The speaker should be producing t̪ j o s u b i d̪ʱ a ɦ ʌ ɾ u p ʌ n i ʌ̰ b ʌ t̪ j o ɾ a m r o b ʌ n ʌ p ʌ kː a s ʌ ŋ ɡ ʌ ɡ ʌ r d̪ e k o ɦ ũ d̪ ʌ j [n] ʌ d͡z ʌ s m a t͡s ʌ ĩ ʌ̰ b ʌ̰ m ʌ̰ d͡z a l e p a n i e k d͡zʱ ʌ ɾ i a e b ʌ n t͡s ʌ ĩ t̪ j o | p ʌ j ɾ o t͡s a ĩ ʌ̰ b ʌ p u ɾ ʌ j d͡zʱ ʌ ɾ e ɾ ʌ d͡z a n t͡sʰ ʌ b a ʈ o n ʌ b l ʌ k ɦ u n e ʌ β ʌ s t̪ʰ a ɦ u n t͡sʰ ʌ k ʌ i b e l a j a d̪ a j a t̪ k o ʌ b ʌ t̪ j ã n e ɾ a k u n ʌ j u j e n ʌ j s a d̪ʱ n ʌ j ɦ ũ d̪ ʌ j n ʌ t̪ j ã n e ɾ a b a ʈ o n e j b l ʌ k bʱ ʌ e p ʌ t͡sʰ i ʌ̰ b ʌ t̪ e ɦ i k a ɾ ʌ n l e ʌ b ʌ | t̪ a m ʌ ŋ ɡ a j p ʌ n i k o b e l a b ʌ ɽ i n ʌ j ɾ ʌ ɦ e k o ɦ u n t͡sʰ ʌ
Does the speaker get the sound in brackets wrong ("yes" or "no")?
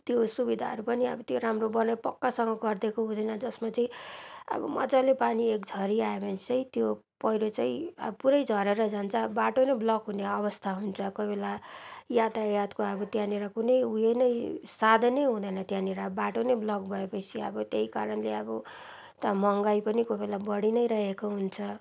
no